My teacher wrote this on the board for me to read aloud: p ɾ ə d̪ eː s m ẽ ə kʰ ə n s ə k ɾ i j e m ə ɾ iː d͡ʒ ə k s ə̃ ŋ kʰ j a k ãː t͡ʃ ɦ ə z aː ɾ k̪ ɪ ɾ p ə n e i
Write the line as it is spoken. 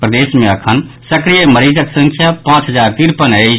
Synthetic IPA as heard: p ɾ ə d̪ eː s m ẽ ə kʰ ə n s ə k ɾ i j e m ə ɾ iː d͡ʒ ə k s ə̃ ŋ kʰ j a p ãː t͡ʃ ɦ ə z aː ɾ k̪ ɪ ɾ p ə n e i